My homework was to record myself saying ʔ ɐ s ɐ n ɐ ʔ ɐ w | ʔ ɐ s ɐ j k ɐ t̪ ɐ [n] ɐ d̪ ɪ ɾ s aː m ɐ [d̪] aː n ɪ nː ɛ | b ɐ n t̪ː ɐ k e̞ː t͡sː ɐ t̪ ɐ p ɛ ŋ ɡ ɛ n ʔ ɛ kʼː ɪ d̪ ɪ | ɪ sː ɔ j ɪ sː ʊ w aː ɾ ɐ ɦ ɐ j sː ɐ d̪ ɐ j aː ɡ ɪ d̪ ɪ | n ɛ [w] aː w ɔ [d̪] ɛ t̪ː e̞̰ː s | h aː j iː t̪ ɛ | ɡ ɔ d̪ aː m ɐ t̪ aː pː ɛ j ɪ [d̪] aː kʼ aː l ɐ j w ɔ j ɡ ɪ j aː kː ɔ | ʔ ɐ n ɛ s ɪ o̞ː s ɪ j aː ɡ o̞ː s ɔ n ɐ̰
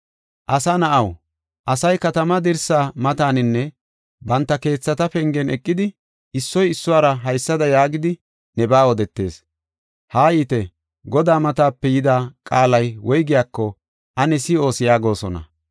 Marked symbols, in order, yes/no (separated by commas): no, no, no, yes, yes